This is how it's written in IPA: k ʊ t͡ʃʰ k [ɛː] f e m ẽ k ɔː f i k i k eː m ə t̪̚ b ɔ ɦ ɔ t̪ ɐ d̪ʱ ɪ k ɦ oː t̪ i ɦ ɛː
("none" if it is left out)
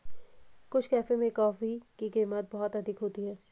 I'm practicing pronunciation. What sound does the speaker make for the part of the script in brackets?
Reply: ɛː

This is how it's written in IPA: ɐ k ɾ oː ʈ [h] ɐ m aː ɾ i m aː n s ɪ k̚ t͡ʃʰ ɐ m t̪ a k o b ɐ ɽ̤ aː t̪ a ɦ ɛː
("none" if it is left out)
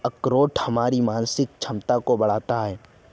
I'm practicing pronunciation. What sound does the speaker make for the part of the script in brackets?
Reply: h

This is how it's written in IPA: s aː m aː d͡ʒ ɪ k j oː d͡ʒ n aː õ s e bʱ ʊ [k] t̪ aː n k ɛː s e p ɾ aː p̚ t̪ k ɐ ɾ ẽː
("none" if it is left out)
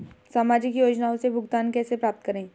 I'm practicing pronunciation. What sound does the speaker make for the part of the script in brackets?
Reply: ɡ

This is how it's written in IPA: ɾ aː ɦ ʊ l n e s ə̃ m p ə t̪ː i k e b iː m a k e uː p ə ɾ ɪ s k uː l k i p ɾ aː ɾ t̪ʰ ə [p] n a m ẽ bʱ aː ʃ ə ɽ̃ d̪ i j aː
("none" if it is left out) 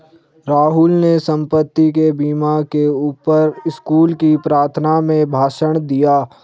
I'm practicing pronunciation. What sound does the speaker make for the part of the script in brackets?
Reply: none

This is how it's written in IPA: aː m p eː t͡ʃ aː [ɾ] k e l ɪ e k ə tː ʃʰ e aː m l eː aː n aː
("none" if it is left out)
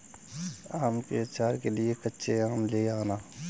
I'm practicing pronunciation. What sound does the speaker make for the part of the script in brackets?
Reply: ɾ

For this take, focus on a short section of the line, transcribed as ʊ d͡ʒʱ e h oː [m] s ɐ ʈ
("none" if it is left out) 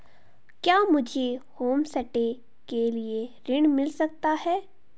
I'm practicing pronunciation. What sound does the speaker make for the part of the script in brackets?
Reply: m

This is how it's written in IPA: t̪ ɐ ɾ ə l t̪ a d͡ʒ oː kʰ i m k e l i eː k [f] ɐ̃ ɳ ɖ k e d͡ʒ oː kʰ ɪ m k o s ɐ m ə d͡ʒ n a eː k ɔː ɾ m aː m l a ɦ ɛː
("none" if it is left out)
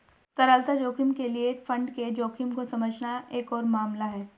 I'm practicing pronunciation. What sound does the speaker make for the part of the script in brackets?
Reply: f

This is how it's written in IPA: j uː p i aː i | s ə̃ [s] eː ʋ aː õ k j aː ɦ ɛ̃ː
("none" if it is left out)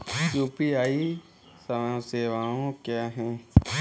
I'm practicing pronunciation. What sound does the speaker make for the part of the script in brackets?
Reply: s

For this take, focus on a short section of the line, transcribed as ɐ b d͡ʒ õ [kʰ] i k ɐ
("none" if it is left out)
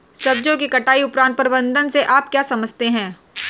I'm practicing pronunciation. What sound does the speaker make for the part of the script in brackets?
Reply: k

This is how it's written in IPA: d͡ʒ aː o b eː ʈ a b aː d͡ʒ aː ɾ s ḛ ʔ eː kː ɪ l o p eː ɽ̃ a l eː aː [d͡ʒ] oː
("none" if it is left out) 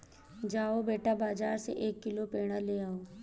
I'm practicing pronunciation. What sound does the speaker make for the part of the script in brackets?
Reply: none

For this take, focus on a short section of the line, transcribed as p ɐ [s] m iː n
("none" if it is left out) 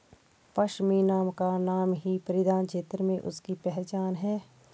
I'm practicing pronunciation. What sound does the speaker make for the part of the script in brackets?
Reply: ʃ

